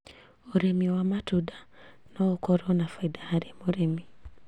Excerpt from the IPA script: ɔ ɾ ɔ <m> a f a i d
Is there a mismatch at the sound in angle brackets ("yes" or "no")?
yes